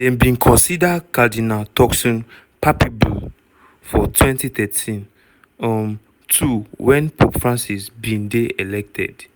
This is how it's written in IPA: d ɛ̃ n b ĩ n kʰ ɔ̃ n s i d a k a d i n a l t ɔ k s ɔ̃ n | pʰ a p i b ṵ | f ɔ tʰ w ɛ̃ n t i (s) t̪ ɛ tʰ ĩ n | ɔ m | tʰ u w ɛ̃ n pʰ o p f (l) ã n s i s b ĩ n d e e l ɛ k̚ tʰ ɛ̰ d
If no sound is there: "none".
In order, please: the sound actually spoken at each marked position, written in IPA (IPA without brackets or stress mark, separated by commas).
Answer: none, ɹ